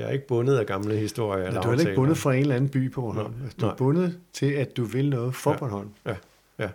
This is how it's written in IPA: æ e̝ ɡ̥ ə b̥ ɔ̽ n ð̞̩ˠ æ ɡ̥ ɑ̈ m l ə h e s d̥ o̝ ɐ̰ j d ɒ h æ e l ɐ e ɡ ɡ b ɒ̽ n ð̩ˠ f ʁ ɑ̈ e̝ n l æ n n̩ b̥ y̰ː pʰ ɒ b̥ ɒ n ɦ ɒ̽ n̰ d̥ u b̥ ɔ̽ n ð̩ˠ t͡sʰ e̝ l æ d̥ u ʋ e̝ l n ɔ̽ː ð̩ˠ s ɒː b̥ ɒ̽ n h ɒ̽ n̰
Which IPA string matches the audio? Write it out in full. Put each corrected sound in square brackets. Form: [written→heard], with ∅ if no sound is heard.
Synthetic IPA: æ e̝ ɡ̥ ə b̥ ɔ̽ n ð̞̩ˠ æ ɡ̥ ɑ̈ m l ə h [e→i] s d̥ o̝ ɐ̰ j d [ɒ→u] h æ e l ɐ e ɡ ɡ b [ɒ̽→ɔ̽] n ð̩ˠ f ʁ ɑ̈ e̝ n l æ n n̩ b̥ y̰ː pʰ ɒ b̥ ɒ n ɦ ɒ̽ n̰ d̥ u b̥ ɔ̽ n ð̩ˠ t͡sʰ e̝ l æ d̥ u ʋ e̝ l n ɔ̽ː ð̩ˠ [s→f] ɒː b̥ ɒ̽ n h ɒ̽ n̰